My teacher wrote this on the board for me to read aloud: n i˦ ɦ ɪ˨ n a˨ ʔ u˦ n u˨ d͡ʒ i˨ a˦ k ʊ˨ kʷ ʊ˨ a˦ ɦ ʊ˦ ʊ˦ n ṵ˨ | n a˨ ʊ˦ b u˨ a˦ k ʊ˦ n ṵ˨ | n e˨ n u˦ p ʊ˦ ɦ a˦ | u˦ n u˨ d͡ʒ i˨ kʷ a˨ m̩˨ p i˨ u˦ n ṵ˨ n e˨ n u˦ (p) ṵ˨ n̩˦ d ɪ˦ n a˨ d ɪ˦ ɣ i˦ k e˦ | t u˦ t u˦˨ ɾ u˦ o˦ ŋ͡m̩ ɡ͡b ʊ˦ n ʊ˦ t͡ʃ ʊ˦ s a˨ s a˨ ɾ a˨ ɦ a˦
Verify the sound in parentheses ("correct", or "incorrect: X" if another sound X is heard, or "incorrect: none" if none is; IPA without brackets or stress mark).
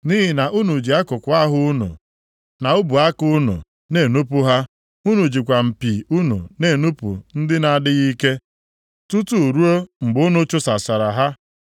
correct